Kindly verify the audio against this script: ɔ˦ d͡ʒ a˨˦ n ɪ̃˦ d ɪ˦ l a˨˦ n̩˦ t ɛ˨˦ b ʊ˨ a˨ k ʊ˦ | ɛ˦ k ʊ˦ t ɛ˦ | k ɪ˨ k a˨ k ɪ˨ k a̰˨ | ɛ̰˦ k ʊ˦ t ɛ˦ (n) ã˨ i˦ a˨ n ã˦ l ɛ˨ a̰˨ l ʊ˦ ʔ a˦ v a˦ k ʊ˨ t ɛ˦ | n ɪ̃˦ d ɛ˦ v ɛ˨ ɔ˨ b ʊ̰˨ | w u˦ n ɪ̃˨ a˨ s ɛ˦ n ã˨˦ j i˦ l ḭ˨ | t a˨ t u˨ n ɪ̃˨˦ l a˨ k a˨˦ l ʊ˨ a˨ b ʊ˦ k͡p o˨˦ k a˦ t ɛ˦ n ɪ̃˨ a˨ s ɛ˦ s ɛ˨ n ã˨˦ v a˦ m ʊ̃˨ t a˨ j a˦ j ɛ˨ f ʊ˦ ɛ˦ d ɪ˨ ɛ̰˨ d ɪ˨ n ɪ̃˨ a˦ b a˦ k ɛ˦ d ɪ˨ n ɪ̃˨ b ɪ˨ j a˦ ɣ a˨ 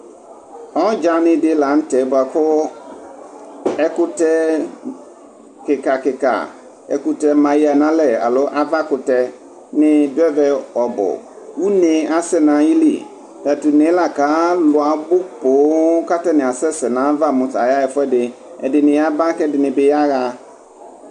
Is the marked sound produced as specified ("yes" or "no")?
no